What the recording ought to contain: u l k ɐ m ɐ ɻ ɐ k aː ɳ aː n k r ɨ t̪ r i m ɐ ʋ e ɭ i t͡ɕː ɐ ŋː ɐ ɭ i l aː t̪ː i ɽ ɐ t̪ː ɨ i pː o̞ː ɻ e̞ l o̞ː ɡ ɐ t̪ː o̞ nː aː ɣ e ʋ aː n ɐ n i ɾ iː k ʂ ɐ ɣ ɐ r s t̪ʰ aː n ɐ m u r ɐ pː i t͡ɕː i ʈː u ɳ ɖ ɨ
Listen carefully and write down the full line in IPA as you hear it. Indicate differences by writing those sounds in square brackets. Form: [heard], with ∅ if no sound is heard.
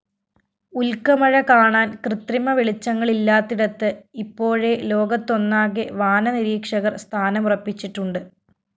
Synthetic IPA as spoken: u l k ɐ m ɐ ɻ ɐ k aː ɳ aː n k r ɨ t̪ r i m ɐ ʋ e ɭ i t͡ɕː ɐ ŋː ɐ ɭ i [lː] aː t̪ː i ɽ ɐ t̪ː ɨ i pː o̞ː ɻ e̞ l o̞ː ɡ ɐ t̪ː o̞ nː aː ɣ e ʋ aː n ɐ n i ɾ iː k ʂ ɐ ɣ ɐ r s t̪ʰ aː n ɐ m u r ɐ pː i t͡ɕː i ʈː u ɳ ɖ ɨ